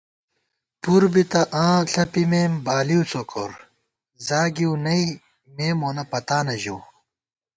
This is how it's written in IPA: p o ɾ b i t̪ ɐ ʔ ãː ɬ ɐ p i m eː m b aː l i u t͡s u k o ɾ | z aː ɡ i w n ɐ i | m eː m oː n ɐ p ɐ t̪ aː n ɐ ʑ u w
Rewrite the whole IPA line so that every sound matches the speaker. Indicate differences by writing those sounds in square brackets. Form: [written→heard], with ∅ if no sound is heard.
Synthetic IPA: p [o→u] ɾ b i t̪ ɐ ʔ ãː ɬ ɐ p i m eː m b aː l i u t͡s [u→o] k o ɾ | z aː ɡ i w n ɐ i | m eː m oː n ɐ p ɐ t̪ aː n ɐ ʑ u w